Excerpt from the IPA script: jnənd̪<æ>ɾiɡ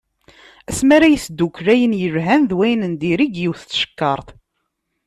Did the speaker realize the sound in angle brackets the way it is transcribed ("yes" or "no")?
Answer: no